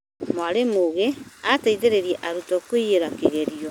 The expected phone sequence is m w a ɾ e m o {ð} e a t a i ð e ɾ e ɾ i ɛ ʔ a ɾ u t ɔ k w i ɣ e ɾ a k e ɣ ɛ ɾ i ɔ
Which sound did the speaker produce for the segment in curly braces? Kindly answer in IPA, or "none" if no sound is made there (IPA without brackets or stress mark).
ɣ